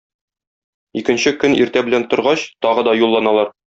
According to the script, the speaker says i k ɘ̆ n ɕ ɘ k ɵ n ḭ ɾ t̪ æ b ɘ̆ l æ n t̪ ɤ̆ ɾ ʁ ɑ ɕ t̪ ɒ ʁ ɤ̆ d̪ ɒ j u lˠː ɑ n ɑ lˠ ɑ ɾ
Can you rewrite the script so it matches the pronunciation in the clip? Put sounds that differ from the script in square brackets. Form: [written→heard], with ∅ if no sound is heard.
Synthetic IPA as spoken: i k ɘ̆ n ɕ ɘ k ɵ n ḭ ɾ t̪ æ b ɘ̆ l æ n t̪ [ɤ̆→ŏ] ɾ ʁ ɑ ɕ t̪ ɒ ʁ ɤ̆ d̪ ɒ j u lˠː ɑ n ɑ lˠ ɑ ɾ